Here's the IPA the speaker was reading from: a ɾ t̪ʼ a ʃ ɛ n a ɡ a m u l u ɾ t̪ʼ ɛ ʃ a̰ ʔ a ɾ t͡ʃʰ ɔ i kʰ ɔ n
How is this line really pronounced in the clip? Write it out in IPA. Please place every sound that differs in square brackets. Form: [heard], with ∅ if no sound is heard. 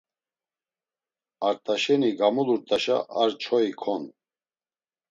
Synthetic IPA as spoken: a ɾ t̪ʼ a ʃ ɛ n [i] ɡ a m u l u ɾ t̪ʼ [a] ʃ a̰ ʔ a ɾ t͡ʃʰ ɔ i kʰ ɔ n